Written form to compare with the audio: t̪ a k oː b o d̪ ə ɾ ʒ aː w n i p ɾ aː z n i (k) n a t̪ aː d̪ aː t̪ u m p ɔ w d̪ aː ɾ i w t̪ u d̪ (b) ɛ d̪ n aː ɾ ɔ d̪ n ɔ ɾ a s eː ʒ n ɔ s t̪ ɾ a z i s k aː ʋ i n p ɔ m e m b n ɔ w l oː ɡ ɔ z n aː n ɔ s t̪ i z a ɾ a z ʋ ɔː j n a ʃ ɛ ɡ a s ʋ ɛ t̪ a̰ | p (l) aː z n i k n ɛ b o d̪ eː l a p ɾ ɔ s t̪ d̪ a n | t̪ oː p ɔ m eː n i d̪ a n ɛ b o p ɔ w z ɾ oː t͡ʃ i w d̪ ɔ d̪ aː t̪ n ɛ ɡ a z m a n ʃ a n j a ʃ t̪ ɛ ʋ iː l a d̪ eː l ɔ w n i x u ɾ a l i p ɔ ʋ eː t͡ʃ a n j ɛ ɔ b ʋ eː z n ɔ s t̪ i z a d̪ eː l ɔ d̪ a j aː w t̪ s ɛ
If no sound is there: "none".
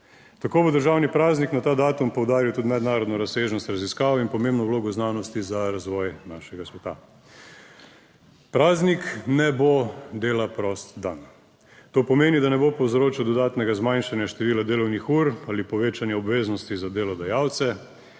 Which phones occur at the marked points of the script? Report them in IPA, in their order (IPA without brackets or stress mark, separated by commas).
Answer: k, m, ɾ